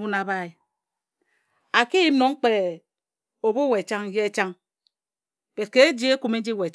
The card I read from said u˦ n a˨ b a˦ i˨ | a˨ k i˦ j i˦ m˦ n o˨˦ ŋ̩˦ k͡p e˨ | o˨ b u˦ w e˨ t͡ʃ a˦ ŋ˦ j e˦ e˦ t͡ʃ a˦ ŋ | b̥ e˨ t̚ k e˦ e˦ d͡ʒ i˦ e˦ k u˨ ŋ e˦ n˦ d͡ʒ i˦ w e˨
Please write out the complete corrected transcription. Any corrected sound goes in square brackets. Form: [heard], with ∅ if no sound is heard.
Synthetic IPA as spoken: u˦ n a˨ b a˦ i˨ | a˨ k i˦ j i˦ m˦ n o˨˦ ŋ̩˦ k͡p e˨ | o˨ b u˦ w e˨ t͡ʃ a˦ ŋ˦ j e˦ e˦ t͡ʃ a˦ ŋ | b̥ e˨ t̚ k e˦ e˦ d͡ʒ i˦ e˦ k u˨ [m] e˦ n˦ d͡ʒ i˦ w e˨

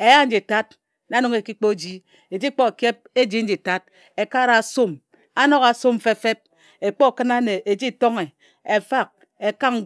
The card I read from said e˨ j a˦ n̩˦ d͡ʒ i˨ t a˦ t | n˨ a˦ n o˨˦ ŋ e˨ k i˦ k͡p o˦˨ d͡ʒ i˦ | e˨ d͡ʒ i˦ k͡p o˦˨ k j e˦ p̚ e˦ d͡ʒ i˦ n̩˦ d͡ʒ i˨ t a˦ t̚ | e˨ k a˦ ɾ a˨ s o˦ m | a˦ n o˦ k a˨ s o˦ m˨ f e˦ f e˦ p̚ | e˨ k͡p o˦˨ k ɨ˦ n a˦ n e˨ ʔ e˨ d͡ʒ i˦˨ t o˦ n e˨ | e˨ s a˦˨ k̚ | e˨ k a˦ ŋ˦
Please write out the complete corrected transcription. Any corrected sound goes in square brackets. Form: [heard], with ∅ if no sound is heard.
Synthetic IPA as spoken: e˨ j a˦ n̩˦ d͡ʒ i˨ t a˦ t | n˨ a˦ n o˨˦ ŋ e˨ k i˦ k͡p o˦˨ d͡ʒ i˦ | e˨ d͡ʒ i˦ k͡p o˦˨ k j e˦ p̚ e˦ d͡ʒ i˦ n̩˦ d͡ʒ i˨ t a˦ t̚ | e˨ k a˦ ɾ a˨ s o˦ m | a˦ n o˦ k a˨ s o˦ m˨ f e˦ f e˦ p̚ | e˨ k͡p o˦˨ k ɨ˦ n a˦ n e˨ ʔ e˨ d͡ʒ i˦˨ t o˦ [ŋ] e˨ | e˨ [f] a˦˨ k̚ | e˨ k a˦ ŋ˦

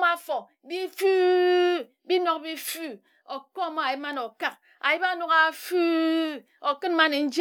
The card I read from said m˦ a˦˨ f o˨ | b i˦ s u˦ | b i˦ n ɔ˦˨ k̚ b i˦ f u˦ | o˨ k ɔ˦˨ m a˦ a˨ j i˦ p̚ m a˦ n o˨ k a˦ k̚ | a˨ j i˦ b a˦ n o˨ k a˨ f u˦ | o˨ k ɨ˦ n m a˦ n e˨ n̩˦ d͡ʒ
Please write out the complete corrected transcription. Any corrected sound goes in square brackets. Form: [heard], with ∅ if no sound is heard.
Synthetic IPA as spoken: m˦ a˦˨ f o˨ | b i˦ [f] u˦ | b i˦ n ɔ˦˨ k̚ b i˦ f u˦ | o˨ k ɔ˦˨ m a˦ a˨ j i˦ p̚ m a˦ n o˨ k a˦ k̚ | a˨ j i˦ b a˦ n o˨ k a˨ f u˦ | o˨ k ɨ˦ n m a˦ n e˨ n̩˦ d͡ʒ

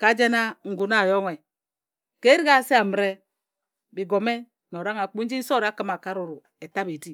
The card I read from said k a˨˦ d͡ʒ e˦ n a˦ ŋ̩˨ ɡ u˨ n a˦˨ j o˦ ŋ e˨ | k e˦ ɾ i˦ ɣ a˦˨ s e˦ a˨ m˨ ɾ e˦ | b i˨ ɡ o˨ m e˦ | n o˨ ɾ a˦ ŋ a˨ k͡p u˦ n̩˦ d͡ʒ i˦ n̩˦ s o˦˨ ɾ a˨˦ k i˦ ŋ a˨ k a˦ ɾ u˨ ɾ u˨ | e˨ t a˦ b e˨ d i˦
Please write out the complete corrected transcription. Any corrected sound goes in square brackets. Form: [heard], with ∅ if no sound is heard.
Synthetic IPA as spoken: k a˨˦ d͡ʒ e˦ n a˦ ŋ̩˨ ɡ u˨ n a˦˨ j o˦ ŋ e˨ | k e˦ ɾ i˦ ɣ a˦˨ s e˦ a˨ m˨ ɾ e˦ | b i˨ ɡ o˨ m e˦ | n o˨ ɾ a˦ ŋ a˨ k͡p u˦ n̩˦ d͡ʒ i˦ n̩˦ s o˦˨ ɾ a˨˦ k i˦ [m] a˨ k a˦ ɾ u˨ ɾ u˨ | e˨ t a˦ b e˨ d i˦

